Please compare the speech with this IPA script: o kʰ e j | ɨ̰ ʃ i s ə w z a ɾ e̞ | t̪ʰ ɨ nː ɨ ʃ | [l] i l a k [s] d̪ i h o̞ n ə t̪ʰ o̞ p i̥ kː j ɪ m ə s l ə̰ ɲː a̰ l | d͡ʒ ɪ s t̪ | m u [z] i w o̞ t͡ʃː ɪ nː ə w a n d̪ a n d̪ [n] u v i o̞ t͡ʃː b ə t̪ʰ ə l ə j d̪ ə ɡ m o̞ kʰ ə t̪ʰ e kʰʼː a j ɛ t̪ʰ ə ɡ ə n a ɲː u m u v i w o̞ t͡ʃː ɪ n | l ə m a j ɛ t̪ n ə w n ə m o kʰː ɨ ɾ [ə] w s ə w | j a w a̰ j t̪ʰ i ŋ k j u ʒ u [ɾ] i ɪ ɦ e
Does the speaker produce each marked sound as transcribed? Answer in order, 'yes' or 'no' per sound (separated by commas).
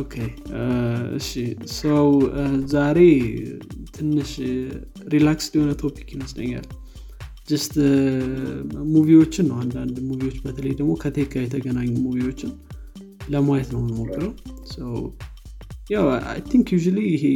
no, yes, no, no, yes, no